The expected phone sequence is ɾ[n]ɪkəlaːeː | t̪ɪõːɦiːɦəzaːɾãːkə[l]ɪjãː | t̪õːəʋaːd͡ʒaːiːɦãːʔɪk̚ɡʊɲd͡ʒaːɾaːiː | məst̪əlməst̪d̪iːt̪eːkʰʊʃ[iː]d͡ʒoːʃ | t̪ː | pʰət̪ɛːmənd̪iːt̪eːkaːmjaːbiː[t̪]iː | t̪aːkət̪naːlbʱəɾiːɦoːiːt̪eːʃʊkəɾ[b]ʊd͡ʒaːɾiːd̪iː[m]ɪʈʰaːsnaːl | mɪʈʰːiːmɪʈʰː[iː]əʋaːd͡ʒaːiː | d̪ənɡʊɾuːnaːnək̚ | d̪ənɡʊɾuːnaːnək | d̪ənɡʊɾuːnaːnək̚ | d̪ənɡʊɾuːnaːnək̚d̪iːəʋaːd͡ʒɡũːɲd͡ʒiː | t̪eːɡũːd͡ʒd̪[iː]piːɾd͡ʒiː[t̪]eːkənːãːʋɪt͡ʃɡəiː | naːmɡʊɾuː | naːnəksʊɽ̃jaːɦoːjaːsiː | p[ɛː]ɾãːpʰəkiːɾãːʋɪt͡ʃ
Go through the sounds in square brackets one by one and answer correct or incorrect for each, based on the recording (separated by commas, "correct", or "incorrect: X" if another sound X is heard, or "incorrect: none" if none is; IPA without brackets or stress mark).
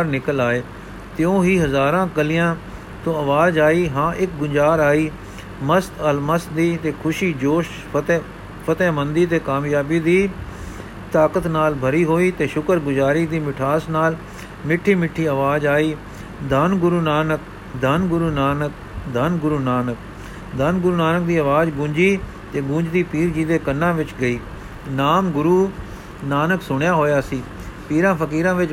correct, correct, correct, incorrect: d̪, incorrect: ɡ, correct, correct, correct, incorrect: d̪, incorrect: iː